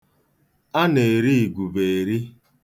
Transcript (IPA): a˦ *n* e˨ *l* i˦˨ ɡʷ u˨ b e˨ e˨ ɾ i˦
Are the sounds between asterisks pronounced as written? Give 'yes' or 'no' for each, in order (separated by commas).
yes, no